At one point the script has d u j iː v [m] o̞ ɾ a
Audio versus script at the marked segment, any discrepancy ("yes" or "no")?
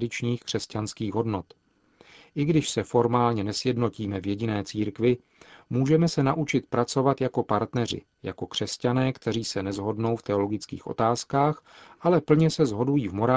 no